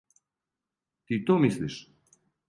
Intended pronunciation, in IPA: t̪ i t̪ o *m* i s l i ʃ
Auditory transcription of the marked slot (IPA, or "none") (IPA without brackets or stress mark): m